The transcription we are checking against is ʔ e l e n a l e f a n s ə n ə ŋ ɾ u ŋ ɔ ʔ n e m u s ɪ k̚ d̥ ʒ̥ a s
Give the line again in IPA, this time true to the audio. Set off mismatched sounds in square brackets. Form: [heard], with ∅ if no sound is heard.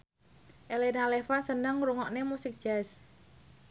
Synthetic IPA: ʔ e l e n a l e f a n s ə n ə ŋ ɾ u ŋ ɔ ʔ n e m u s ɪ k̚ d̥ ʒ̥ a s

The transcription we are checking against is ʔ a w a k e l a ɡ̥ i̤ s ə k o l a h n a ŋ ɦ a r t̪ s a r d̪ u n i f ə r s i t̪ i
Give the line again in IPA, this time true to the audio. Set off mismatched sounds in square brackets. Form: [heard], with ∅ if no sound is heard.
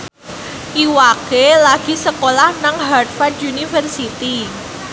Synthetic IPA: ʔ [i] w a k e l a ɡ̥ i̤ s ə k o l a h n a ŋ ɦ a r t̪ [f] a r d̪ u n i f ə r s i t̪ i

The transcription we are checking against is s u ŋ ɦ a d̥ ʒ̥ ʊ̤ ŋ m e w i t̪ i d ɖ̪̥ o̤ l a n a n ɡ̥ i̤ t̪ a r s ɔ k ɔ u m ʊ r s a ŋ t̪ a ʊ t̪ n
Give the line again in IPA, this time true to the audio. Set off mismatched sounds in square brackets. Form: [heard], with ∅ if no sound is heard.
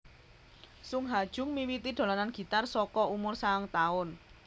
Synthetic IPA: s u ŋ ɦ a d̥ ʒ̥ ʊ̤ ŋ m [i] w i t̪ i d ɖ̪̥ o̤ l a n a n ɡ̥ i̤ t̪ a r s ɔ k ɔ u m ʊ r s a ŋ t̪ a ʊ [∅] n

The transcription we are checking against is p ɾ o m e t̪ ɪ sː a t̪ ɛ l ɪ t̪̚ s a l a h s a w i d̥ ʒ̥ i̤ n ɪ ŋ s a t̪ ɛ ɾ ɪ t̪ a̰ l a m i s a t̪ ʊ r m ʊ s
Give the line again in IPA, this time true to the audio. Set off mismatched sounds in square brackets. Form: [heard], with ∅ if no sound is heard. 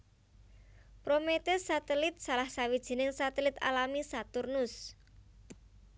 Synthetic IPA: p ɾ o m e t̪ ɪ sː a t̪ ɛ l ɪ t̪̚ s a l a h s a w i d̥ ʒ̥ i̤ n ɪ ŋ s a t̪ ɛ [l] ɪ t̪ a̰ l a m i s a t̪ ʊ r [n] ʊ s

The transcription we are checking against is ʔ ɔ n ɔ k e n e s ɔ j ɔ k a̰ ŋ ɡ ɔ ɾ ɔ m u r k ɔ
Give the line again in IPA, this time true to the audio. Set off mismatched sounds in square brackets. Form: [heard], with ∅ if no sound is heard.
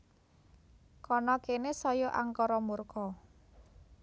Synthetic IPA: [k] ɔ n ɔ k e n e s ɔ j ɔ [ʔ] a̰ ŋ [k] ɔ ɾ ɔ m u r k ɔ

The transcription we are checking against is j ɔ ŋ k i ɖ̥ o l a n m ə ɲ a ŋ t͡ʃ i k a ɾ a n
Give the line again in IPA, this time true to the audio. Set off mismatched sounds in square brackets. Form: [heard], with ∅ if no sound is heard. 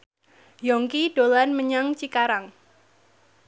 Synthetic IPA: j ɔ ŋ k i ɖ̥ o l a n m ə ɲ a ŋ t͡ʃ i k a ɾ a [ŋ]

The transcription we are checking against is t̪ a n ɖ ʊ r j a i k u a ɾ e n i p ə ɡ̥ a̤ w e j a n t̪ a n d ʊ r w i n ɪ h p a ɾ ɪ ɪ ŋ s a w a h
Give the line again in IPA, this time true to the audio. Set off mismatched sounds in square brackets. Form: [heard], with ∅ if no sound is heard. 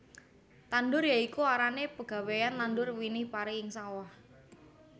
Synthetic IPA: t̪ a n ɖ ʊ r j a i k u a ɾ [a] n [e] p ə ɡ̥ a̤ w e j a n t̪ a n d ʊ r w i n ɪ h p a ɾ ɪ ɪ ŋ s a w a h

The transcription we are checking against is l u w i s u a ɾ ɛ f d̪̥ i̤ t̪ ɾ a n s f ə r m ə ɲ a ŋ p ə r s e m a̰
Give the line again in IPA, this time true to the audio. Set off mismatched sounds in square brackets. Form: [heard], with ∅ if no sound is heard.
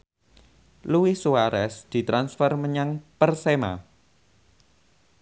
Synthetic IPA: l u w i s u a ɾ ɛ [s] d̪̥ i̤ t̪ ɾ a n s f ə r m ə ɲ a ŋ p ə r s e m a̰

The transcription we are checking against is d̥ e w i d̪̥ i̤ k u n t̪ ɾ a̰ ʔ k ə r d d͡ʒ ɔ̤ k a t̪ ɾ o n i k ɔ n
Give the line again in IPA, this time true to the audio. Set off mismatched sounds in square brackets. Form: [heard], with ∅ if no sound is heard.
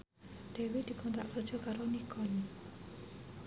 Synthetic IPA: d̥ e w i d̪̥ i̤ k [ɔ] n t̪ ɾ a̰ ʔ k ə r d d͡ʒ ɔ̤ k a [∅] ɾ o n i k ɔ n

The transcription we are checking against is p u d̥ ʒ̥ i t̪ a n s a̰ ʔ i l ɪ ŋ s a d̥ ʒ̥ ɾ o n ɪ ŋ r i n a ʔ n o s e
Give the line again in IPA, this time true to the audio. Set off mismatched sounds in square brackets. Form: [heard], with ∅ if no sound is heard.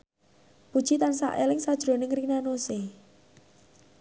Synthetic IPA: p u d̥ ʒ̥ i t̪ a n s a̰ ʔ [e] l ɪ ŋ s a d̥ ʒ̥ ɾ o n ɪ ŋ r i n a [∅] n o s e

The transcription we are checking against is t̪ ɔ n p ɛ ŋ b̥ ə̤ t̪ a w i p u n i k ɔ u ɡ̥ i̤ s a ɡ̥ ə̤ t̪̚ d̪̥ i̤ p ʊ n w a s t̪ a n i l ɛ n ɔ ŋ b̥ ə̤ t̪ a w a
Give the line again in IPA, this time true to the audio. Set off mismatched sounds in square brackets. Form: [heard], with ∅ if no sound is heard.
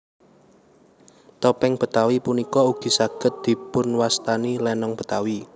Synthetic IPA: t̪ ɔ [∅] p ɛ ŋ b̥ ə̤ t̪ a w i p u n i k ɔ u ɡ̥ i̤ s a ɡ̥ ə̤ t̪̚ d̪̥ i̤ p ʊ n w a s t̪ a n i l ɛ n ɔ ŋ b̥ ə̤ t̪ a w [i]

